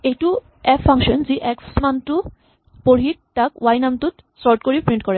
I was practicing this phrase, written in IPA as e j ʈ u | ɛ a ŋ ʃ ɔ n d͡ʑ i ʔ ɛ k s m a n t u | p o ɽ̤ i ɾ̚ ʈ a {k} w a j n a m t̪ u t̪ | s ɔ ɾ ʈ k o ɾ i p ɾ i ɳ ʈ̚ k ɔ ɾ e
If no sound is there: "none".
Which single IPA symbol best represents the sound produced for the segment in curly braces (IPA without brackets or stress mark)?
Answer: k